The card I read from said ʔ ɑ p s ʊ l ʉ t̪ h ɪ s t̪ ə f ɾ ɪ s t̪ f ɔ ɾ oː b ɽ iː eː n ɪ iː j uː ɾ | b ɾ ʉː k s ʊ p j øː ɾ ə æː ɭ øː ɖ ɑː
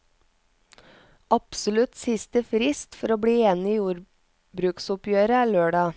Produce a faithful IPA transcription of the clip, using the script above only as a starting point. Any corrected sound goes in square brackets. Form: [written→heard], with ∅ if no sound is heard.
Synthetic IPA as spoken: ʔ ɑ p s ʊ l ʉ t̪ [h→s] ɪ s t̪ ə f ɾ ɪ s t̪ f ɔ ɾ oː b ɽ iː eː n ɪ iː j uː ɾ | b ɾ ʉː k s ʊ p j øː ɾ ə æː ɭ øː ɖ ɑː